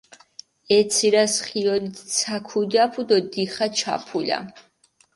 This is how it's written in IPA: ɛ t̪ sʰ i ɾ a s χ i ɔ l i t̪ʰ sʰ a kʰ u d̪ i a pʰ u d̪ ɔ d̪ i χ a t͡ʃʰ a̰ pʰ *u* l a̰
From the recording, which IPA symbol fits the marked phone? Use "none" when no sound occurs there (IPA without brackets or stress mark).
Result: u